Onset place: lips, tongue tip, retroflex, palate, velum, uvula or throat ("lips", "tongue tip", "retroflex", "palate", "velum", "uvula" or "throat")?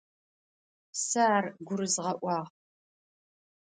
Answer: tongue tip